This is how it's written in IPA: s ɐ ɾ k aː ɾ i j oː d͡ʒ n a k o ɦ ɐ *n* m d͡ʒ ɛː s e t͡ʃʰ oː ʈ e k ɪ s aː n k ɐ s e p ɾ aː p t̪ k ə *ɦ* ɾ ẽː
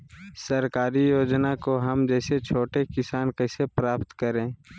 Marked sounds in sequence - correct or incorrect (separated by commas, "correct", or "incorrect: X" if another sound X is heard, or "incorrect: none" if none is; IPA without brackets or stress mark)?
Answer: incorrect: none, incorrect: none